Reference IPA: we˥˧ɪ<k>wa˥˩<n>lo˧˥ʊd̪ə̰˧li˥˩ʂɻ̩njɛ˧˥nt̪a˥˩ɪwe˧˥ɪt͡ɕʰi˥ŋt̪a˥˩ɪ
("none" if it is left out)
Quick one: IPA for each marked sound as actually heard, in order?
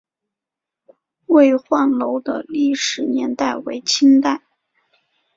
x, n

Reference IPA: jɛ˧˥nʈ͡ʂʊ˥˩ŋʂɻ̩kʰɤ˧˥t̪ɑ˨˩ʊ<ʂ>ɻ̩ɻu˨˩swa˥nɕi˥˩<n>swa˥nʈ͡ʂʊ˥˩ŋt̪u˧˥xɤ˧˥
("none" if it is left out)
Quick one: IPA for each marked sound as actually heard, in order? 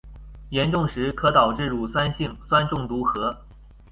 ʈ͡ʂ, ŋ

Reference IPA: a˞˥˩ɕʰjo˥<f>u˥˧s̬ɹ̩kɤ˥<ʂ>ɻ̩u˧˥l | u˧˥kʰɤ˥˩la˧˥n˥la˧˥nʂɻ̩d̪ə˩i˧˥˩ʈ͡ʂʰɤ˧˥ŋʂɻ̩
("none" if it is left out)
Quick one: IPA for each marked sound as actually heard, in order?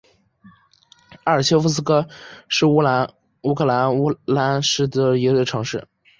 f, ʂ

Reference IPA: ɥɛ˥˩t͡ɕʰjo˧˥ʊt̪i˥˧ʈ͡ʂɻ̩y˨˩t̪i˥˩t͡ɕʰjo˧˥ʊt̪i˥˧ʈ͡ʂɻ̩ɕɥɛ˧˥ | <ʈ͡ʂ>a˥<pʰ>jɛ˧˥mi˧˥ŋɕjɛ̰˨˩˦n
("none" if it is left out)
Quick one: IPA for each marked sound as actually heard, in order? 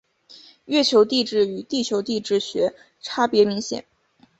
ʈ͡ʂʰ, p

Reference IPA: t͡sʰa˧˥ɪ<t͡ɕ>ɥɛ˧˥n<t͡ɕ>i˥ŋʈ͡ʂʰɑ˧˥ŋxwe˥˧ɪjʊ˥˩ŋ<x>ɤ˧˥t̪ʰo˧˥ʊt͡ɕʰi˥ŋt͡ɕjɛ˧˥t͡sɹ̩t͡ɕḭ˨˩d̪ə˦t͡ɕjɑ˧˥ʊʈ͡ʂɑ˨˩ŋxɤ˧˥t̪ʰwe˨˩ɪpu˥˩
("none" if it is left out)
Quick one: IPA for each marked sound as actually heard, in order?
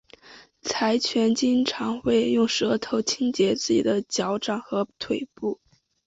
t͡ɕʰ, t͡ɕ, ʂ

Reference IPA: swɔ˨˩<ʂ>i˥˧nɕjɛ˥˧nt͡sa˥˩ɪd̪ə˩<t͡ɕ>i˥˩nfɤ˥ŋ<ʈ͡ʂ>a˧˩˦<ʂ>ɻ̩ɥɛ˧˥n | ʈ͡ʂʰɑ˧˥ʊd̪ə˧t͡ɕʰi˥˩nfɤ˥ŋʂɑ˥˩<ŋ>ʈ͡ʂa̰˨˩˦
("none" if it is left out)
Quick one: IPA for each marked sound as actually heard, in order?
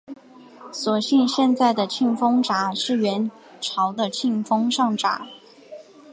ɕ, t͡ɕʰ, ʈ͡ʂ, ʂ, ŋ

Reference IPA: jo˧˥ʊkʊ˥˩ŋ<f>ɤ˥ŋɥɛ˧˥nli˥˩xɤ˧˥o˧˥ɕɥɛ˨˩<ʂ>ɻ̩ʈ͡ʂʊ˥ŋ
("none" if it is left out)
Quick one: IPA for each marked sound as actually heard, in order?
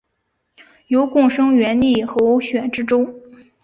ʂ, ʈ͡ʂ

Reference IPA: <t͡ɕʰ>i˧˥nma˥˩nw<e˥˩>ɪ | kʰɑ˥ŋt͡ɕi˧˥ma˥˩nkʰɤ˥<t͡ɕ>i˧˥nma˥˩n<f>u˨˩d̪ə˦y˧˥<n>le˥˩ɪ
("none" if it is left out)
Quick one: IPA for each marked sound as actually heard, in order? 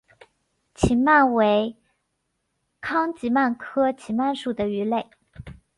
t͡ɕʰ, e˧˥, t͡ɕʰ, ʂ, none

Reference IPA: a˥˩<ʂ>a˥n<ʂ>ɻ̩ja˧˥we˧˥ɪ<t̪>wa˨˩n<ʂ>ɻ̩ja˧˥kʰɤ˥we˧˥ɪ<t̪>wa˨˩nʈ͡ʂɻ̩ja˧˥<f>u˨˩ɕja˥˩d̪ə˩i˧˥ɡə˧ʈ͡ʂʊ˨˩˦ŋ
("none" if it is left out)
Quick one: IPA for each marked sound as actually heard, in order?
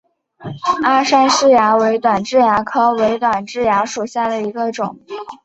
ʂ, ʂ, t̪, ʈ͡ʂ, t̪, ʂ

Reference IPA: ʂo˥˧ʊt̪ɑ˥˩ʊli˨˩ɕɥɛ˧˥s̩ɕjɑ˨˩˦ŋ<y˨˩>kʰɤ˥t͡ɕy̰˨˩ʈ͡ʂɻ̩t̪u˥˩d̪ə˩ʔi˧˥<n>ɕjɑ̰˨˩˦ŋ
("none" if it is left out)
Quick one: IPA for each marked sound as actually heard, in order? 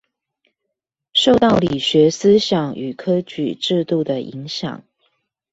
y˨˩, ŋ

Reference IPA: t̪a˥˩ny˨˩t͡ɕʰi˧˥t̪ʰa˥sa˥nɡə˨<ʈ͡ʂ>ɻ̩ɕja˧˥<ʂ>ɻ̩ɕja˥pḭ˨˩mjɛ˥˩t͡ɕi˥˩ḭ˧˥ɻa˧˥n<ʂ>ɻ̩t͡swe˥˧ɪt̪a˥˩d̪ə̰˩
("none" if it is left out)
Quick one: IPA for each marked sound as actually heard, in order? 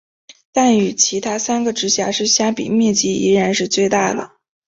ʈ͡ʂ, ʂ, ʂ

